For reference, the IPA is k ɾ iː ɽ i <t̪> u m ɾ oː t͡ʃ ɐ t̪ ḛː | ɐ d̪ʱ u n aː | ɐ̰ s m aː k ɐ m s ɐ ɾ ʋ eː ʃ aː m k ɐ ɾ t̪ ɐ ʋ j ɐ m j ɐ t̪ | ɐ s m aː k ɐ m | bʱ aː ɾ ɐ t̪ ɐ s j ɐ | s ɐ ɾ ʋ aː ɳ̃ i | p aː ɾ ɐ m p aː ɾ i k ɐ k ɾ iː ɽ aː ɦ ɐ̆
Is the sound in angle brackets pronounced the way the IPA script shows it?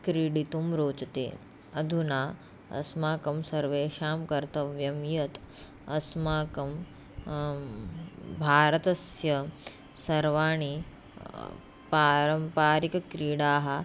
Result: yes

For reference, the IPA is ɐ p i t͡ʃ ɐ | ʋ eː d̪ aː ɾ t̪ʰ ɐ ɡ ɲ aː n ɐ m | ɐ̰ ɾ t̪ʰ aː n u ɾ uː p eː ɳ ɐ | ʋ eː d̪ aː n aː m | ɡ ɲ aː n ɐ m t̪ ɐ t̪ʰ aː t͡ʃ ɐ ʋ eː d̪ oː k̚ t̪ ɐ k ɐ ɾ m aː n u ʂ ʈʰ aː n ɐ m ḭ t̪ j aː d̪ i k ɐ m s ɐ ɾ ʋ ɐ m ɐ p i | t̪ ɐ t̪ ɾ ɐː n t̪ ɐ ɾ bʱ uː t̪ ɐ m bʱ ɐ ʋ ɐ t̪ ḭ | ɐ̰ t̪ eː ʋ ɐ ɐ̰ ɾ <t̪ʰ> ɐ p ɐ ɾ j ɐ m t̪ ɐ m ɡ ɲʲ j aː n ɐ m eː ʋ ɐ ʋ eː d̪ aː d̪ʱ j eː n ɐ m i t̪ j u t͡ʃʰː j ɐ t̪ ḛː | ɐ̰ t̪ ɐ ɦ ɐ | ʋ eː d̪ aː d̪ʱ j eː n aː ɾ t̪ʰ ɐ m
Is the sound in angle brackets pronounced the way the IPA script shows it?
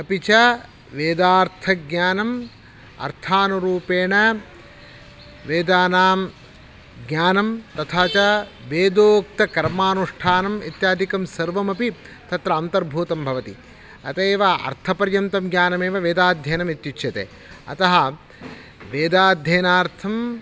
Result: yes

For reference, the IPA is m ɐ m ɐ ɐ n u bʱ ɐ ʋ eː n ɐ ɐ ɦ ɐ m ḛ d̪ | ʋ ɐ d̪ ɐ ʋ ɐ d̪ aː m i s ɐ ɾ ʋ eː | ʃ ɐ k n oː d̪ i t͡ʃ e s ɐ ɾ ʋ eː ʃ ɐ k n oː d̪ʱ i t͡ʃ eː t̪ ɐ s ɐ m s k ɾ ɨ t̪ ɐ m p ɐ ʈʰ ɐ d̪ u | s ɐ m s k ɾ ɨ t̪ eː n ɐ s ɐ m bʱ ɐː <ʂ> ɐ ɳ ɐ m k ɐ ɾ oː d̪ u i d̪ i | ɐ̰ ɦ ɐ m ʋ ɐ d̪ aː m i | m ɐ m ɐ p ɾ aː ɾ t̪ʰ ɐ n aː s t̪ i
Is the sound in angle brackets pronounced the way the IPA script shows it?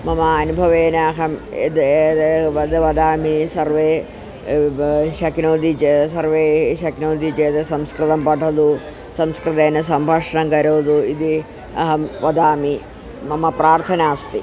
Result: yes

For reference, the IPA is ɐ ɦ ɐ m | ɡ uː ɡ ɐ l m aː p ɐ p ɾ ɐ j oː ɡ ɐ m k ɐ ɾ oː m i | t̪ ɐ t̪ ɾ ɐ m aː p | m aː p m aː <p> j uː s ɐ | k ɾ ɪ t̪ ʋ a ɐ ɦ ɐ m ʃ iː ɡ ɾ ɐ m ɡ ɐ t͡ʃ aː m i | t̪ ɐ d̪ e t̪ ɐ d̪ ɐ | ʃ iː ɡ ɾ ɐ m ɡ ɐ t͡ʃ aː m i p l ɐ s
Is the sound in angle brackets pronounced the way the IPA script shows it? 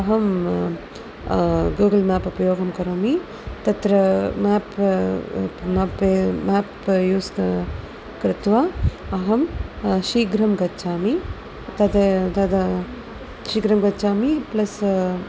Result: yes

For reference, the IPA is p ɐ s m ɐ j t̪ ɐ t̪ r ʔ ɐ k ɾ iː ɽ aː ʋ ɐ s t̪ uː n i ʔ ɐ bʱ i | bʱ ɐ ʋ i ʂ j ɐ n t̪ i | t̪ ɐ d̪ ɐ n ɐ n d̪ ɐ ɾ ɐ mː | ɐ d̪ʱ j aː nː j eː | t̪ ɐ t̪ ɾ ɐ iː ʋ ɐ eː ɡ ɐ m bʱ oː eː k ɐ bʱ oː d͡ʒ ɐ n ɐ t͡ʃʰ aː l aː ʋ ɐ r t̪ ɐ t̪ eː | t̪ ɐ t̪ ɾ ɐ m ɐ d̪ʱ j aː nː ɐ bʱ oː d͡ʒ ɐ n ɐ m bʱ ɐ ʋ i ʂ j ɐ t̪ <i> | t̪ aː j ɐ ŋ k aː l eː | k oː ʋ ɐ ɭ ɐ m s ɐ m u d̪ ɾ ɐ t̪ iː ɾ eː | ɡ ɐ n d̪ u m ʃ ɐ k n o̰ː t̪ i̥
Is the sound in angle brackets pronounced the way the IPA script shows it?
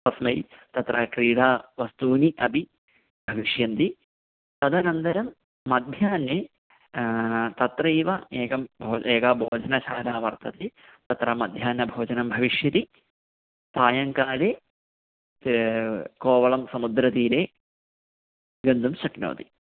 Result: yes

